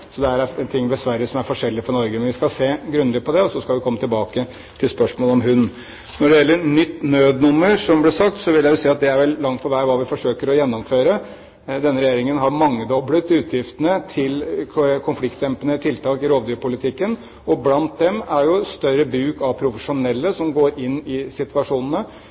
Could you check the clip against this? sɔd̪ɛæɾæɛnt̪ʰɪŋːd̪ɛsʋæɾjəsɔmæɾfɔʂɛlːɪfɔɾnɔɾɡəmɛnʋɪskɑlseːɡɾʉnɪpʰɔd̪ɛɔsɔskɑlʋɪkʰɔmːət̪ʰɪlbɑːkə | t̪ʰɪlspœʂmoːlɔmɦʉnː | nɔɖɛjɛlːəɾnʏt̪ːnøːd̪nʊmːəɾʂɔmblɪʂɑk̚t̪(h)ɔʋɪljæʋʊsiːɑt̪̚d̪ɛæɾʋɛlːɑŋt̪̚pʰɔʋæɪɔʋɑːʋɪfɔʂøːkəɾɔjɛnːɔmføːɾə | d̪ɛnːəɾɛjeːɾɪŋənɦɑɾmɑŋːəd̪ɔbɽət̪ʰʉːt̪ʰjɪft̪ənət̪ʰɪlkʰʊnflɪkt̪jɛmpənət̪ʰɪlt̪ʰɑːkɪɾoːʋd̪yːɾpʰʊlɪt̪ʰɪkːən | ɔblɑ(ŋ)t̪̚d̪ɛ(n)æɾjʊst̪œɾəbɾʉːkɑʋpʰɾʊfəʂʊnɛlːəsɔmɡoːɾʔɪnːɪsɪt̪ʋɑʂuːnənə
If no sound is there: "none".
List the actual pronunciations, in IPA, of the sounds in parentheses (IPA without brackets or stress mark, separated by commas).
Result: s, n, m